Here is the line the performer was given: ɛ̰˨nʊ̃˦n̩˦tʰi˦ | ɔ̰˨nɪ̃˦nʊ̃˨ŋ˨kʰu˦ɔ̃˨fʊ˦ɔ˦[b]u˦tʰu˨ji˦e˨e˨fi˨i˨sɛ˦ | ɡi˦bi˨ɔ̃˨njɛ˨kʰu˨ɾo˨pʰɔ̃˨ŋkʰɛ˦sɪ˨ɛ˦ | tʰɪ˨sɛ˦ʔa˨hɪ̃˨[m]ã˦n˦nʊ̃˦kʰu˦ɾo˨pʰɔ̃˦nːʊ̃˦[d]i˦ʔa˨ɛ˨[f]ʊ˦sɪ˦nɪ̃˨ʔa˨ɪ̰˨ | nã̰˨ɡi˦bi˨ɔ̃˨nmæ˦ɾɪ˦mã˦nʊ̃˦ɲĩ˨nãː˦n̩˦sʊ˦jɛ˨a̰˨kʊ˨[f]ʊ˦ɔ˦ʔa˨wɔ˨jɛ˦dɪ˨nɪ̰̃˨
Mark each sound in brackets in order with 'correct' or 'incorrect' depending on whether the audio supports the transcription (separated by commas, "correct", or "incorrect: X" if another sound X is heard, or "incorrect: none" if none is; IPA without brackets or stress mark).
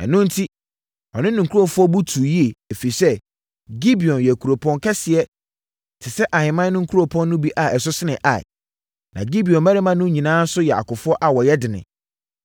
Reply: correct, correct, incorrect: b, incorrect: s, correct